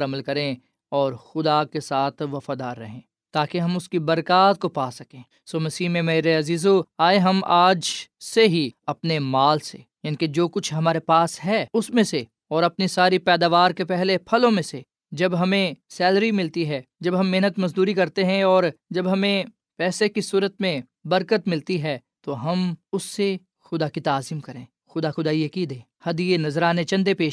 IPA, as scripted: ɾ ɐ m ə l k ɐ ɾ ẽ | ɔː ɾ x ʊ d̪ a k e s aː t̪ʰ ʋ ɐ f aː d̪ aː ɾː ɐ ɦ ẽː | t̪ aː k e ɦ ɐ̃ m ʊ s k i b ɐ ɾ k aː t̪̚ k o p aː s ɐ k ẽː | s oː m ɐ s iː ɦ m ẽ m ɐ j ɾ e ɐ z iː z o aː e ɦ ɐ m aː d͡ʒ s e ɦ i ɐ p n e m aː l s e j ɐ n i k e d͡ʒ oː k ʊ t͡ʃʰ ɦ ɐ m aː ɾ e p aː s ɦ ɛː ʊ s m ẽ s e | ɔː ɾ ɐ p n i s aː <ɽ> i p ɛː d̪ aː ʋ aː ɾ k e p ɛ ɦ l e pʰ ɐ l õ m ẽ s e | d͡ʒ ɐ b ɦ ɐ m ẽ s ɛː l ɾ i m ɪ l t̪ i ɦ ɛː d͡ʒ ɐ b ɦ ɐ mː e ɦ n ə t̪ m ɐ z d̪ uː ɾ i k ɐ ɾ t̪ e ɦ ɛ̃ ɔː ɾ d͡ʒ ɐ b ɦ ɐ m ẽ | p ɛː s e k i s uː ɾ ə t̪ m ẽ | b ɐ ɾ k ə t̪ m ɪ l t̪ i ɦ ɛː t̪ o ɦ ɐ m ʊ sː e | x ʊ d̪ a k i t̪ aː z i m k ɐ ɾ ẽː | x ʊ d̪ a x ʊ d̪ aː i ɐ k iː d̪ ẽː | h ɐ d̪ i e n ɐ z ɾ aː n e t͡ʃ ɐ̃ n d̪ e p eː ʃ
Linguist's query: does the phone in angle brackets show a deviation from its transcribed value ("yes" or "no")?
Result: yes